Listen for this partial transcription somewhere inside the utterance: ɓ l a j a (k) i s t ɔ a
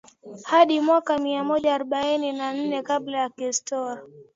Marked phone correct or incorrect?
correct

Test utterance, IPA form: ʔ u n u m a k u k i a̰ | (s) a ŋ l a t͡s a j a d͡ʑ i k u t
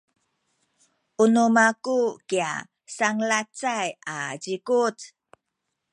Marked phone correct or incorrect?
correct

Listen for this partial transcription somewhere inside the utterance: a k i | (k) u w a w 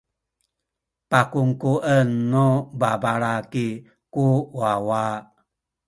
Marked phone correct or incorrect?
correct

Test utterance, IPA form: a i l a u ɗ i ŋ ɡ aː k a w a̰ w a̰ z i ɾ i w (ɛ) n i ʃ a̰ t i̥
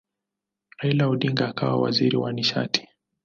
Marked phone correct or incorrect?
incorrect: a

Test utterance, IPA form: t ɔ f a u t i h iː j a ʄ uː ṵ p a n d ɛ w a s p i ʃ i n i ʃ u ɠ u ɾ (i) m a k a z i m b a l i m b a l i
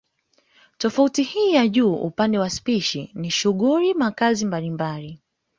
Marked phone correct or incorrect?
correct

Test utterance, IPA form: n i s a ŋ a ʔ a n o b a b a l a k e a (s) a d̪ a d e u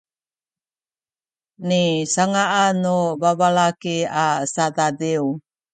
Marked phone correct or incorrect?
correct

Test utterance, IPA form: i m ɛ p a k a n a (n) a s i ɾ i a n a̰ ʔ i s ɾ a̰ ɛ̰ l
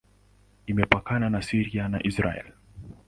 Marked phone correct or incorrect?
correct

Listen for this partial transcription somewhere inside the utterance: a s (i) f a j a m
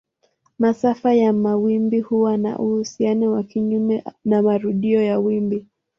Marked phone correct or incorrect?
incorrect: a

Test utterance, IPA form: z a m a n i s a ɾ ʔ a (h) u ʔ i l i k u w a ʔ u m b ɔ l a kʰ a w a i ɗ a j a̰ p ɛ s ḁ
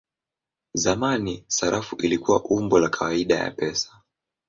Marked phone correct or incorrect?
incorrect: f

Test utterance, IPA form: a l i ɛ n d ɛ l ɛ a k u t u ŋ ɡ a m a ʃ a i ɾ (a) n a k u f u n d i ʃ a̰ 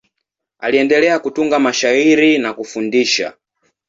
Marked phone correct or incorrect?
incorrect: i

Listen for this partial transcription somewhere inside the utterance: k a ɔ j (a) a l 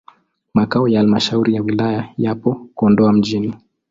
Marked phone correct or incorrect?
correct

